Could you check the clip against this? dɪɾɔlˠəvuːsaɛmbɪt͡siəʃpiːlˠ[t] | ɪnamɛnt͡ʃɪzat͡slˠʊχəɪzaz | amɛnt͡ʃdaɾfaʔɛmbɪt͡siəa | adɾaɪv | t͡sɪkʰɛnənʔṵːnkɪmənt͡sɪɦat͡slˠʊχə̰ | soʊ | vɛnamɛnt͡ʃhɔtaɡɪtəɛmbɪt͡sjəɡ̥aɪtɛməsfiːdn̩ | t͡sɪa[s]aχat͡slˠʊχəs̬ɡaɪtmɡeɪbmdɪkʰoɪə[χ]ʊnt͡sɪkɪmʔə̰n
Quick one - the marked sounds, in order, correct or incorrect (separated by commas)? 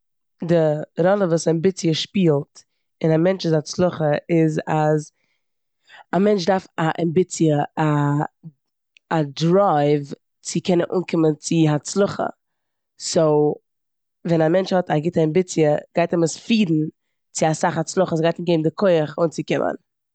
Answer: correct, correct, correct